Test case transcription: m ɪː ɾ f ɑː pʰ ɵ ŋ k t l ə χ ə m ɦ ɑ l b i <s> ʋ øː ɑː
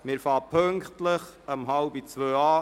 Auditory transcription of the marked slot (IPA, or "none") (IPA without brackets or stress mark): t͡s